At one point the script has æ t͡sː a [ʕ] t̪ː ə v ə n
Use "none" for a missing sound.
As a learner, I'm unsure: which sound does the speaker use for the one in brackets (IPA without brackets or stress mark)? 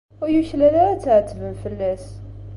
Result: ʕ